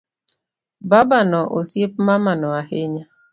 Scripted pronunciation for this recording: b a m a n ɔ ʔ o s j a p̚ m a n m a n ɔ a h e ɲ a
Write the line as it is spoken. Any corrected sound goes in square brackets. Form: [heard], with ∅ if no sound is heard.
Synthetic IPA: b a [b] a n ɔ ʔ o s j [e] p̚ m a [∅] m a n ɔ a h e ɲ a